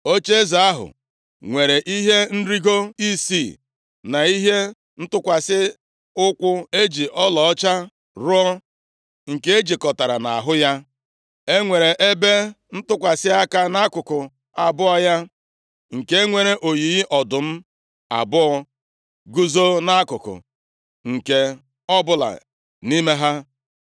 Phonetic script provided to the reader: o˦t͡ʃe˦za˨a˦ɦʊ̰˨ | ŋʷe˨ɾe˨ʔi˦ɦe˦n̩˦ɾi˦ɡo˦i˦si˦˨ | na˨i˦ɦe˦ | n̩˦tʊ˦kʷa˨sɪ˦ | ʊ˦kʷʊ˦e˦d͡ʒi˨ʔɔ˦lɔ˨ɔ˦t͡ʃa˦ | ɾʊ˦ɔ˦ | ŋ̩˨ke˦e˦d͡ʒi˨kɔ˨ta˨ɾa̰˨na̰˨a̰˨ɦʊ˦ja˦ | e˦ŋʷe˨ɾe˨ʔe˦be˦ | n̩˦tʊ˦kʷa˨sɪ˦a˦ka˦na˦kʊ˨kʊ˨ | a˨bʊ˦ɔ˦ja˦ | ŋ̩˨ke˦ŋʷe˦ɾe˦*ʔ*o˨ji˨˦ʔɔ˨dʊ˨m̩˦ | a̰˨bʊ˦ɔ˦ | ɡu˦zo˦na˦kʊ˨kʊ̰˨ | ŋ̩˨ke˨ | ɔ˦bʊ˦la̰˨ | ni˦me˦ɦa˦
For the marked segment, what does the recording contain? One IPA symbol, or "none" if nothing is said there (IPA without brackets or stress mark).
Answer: ʔ